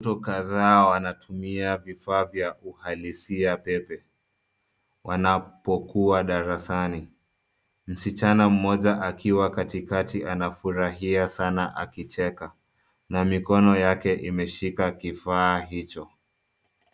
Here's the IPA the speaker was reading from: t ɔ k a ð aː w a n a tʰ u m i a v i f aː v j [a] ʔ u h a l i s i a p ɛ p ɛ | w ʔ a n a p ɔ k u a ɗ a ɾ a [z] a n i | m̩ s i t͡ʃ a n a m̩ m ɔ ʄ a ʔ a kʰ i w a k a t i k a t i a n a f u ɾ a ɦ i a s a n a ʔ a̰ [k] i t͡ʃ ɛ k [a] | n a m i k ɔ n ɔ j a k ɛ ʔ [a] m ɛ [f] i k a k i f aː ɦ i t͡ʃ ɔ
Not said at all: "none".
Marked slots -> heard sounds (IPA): a, s, k, a, i, ʃ

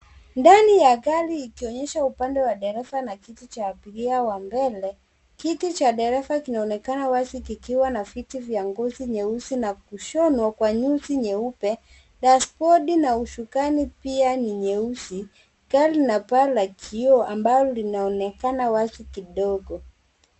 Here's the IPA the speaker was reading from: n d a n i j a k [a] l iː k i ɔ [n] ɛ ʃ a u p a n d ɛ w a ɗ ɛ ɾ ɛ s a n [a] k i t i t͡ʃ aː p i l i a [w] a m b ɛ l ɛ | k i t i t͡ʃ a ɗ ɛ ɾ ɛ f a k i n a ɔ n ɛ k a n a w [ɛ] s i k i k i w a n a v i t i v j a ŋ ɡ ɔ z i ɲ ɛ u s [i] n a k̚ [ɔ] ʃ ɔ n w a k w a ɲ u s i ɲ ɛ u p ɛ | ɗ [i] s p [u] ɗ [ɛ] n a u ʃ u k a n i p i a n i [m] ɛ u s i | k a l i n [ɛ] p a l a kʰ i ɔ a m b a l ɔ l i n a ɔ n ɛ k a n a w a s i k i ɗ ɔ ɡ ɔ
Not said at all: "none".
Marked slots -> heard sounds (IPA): a, ɲ, a, w, a, i, u, a, ɔ, i, ɲ, a

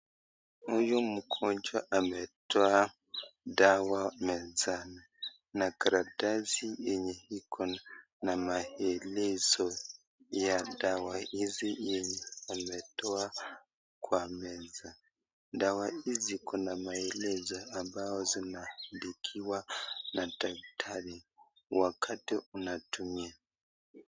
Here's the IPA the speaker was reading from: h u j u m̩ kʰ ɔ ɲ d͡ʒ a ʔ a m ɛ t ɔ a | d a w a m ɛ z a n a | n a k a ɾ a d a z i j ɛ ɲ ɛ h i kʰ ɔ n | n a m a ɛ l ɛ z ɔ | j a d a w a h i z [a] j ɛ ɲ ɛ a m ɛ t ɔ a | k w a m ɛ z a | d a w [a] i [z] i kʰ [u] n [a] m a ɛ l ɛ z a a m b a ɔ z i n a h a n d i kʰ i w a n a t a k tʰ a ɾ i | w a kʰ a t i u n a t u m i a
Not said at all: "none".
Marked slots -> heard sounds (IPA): i, a, z, ɔ, a

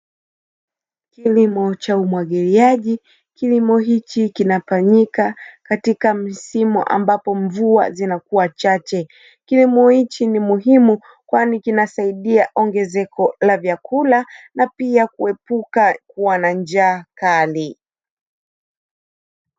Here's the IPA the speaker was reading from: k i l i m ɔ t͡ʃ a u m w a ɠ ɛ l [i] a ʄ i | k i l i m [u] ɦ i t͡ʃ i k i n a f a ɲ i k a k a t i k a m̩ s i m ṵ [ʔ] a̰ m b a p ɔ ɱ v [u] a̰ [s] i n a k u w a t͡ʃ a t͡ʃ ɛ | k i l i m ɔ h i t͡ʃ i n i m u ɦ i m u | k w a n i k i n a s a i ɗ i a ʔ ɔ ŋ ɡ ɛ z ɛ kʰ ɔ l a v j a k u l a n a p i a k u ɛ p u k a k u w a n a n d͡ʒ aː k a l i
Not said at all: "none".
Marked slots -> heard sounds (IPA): i, ɔ, ʔ, u, z

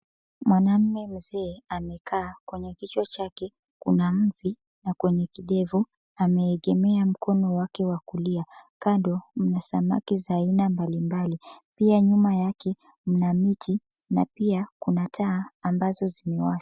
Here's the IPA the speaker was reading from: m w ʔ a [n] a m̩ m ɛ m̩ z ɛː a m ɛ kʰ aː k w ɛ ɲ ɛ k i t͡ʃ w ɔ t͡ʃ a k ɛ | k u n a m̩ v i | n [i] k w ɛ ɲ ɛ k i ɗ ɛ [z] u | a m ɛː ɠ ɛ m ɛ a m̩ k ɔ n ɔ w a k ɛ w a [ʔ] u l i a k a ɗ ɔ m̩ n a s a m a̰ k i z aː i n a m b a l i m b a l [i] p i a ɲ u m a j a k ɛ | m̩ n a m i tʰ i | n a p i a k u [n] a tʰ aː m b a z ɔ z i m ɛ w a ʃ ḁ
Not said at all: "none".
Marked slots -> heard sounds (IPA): n, a, v, k, i, n

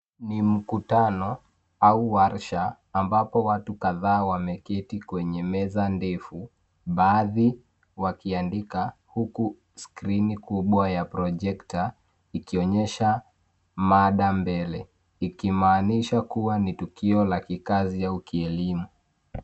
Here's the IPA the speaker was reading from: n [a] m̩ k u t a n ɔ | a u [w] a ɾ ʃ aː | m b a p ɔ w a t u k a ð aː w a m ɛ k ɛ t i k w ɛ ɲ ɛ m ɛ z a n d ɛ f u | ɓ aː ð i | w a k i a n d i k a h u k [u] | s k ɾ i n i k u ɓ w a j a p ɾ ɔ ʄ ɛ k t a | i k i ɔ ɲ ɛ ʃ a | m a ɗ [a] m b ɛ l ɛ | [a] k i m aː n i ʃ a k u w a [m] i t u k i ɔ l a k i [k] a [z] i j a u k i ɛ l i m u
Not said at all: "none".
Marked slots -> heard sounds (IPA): i, w, u, a, i, n, k, z

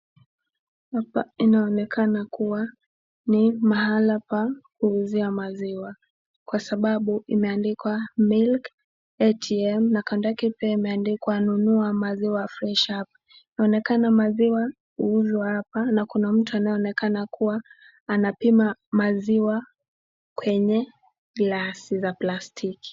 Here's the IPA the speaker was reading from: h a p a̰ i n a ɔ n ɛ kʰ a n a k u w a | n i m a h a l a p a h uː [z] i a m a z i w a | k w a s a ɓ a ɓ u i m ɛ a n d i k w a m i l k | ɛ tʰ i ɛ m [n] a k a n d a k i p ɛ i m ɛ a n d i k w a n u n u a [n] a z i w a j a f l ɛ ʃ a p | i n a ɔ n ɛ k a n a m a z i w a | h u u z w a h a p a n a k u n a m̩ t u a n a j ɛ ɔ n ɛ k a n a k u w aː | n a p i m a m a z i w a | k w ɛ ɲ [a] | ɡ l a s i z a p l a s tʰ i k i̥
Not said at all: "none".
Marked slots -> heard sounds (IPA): z, n, m, ɛ

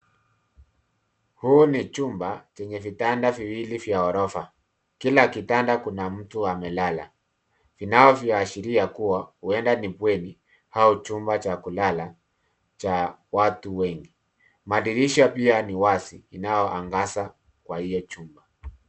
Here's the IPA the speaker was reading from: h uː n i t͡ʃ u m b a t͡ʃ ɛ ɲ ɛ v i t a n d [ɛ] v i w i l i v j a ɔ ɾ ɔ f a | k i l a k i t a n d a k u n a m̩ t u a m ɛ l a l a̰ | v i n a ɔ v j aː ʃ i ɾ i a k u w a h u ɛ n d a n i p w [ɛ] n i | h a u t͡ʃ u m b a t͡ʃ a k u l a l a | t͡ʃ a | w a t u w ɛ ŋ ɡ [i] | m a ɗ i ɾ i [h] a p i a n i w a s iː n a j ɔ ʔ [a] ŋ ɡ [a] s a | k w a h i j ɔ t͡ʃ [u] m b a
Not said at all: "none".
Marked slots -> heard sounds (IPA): a, ɛ, i, ʃ, a, a, u

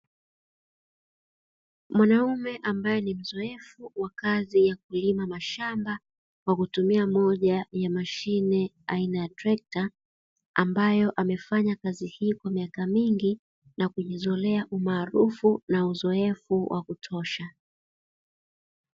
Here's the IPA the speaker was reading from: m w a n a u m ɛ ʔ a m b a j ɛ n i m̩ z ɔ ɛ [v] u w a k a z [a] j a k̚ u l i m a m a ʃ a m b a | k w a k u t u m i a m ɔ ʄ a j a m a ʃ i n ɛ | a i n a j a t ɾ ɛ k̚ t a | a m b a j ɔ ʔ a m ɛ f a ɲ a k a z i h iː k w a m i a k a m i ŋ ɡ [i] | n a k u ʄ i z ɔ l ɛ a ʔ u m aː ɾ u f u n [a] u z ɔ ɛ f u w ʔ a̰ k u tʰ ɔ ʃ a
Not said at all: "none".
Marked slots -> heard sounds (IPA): f, i, i, a

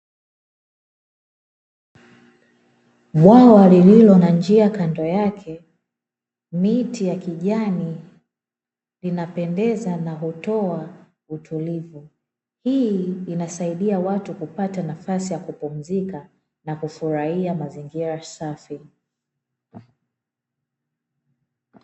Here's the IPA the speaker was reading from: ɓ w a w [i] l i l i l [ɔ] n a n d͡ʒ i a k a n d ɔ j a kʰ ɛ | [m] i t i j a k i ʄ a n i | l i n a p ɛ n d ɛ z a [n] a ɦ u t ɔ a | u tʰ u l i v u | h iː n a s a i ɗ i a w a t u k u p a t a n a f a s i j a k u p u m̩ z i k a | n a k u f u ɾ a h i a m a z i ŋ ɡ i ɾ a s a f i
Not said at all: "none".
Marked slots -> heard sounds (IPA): a, ɔ, m, n

